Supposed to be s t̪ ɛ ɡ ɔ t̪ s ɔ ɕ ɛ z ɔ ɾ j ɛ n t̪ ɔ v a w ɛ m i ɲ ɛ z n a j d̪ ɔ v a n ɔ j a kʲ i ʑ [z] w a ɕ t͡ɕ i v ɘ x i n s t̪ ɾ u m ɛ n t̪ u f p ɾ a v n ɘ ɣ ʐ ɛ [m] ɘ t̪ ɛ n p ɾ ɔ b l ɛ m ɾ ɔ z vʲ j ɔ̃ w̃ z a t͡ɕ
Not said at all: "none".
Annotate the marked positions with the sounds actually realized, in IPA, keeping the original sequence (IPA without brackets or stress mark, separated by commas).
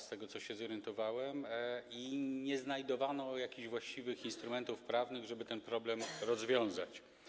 v, b